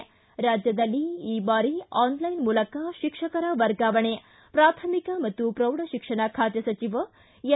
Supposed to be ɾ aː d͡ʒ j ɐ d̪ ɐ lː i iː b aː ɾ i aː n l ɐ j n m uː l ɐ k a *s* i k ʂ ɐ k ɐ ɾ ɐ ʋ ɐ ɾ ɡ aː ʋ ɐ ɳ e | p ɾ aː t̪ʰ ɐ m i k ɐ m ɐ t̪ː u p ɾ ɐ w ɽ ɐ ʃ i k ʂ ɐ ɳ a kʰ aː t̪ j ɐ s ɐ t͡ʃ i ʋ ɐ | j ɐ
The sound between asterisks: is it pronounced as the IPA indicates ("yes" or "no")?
no